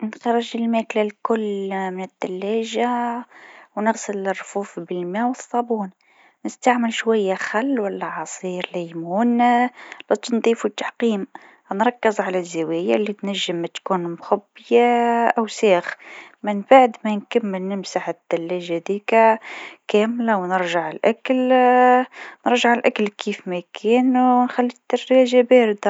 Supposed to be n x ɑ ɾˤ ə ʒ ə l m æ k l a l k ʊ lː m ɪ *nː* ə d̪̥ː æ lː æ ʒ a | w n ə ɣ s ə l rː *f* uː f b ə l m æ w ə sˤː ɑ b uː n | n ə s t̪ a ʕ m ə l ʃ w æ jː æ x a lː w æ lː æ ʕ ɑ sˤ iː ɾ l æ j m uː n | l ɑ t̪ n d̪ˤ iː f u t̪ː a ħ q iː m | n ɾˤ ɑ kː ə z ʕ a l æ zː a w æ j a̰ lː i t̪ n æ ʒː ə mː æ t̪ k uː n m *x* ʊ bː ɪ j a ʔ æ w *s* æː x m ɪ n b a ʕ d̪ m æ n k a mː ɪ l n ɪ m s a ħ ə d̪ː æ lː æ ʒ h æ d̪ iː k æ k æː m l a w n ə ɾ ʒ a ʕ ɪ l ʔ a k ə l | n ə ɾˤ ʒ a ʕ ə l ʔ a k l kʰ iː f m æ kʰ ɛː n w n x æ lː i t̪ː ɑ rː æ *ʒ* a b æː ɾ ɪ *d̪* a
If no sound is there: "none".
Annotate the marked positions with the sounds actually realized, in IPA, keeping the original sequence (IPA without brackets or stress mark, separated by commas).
n, f, x, s, ʒ, d̪